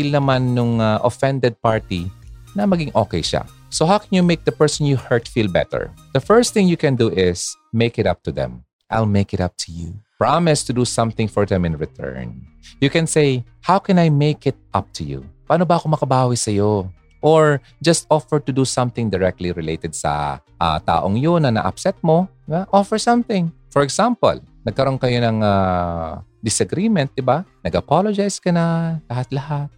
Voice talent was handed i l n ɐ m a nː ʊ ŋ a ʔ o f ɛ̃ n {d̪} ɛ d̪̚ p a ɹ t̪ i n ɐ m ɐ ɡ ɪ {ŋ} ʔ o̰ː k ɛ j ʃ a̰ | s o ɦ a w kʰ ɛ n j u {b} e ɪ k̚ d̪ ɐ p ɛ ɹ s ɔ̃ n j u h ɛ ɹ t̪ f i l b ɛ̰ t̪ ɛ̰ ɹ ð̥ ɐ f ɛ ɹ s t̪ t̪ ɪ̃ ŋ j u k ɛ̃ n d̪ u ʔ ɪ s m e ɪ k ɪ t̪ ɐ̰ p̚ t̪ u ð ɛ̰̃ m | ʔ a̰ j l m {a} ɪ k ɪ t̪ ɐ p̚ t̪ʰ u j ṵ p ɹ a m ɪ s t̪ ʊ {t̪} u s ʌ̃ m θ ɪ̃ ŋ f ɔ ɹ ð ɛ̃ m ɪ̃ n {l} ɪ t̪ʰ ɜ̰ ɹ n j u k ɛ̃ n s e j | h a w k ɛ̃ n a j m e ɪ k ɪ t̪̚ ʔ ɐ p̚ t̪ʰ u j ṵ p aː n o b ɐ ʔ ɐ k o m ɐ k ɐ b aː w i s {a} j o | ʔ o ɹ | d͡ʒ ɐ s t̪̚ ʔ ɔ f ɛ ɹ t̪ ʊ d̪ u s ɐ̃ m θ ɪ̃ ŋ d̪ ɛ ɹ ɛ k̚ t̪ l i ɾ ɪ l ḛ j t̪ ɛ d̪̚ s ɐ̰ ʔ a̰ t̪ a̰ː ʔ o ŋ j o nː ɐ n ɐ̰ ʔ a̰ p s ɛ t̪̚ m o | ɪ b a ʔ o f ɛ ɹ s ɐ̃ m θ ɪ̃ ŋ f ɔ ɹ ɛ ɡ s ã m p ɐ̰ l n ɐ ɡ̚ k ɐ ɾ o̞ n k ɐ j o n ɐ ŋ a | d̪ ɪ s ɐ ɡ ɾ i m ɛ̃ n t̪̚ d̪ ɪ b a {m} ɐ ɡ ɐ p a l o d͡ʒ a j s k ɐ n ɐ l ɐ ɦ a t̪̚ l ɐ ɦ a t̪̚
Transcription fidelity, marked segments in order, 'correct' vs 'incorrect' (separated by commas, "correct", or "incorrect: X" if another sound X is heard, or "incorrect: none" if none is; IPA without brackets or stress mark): correct, correct, incorrect: m, incorrect: e, incorrect: d̪, incorrect: ɹ, incorrect: ɐ, incorrect: n